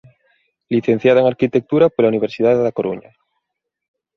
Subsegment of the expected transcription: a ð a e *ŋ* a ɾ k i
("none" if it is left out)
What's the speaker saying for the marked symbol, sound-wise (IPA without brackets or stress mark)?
ŋ